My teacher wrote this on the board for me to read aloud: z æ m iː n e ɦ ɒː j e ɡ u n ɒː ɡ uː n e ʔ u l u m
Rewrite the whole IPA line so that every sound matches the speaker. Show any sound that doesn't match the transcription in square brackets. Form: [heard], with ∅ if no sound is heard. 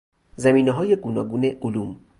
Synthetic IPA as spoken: z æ m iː n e ɦ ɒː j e ɡ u n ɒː ɡ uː n e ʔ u l u m